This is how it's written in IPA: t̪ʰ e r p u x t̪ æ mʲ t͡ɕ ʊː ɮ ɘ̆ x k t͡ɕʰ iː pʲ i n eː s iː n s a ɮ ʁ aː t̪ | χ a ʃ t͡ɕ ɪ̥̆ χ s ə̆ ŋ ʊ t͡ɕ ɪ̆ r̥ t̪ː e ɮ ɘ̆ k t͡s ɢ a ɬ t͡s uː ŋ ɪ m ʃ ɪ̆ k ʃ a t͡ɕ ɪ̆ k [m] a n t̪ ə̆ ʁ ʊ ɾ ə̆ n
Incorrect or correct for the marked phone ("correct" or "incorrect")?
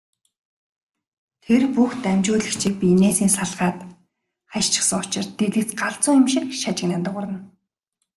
incorrect